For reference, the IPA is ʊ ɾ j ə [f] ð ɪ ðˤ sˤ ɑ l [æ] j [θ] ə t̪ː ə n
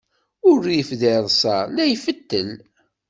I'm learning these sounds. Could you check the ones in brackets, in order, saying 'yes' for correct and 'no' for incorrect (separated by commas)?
yes, yes, no